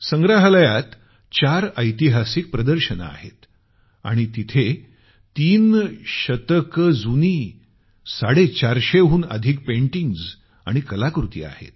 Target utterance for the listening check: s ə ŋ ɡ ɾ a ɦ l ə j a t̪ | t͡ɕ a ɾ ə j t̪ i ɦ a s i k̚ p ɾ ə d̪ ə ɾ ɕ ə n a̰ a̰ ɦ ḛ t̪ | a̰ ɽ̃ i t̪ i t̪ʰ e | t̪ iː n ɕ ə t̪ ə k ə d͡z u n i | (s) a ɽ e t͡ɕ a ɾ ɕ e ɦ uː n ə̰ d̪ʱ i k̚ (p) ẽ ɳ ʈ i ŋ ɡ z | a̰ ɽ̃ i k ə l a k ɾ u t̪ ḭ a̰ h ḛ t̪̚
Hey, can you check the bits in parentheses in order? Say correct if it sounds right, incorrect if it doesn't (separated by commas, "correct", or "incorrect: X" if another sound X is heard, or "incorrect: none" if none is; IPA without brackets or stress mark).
correct, correct